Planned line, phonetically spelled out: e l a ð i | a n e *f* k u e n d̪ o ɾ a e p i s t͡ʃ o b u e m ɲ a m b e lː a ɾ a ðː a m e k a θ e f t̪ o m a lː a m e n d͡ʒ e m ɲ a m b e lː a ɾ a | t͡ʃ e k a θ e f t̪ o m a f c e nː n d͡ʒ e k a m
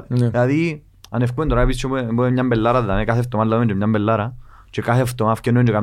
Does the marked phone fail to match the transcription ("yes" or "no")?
no